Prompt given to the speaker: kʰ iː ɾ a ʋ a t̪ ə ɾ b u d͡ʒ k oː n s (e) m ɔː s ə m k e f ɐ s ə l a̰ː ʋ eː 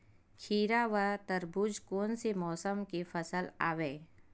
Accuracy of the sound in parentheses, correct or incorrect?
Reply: correct